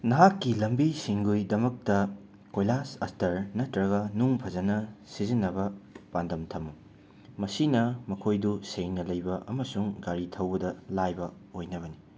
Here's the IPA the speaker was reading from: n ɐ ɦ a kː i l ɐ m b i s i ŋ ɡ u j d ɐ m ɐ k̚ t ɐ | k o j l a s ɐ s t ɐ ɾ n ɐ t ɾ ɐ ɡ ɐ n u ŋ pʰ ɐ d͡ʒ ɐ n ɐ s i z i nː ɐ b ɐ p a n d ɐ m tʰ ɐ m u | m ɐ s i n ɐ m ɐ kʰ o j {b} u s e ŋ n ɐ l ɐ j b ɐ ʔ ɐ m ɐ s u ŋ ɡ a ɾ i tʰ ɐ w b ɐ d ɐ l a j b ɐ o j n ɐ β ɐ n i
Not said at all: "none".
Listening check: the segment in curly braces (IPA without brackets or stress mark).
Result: d